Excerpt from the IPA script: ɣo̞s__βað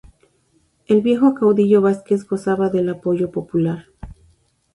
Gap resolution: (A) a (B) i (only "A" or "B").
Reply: A